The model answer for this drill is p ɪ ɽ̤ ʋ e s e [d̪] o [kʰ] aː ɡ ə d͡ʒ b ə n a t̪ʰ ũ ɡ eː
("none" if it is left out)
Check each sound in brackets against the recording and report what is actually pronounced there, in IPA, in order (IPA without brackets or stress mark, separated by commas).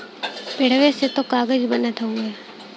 t̪, k